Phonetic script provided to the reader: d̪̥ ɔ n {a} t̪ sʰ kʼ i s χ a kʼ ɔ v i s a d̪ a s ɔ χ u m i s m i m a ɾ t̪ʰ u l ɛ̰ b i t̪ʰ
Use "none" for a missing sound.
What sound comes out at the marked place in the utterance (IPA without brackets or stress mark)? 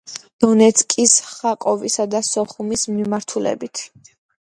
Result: ɛ